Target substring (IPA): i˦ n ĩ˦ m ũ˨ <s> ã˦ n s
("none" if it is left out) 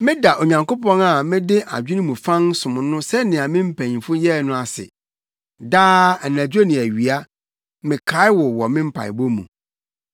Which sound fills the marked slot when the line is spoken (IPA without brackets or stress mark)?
f